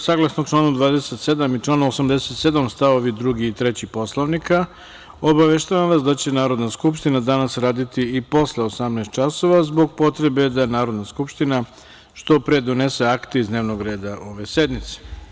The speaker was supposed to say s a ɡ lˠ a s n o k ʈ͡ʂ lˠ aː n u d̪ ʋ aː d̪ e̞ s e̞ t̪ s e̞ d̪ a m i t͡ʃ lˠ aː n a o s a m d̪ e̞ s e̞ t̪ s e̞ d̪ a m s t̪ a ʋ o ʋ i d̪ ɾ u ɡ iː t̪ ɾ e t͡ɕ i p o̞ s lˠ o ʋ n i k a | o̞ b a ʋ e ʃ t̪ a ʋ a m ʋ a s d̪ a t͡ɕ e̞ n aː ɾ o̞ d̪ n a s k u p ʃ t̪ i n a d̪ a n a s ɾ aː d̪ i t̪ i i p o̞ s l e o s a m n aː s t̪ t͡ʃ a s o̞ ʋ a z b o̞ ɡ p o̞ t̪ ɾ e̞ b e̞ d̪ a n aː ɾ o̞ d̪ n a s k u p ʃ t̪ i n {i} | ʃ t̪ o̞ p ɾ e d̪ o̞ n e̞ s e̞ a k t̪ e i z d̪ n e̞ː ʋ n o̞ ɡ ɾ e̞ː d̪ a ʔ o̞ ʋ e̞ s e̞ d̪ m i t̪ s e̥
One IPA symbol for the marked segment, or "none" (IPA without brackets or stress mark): a